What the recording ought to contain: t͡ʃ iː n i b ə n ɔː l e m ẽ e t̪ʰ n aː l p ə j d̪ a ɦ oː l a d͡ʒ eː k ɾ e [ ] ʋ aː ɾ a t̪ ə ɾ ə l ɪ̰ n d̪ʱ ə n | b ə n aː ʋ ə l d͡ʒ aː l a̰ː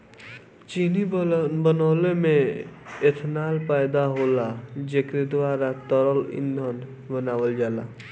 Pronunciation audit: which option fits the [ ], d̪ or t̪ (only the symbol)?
d̪